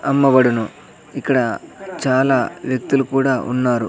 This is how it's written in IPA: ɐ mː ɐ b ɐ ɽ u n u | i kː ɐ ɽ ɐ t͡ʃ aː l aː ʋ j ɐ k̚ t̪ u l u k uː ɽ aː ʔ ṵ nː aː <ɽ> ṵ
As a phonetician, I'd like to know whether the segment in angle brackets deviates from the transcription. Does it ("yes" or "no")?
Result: yes